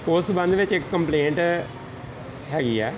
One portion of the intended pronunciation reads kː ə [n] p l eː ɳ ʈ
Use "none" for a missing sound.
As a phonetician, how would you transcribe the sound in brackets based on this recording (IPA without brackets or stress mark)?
m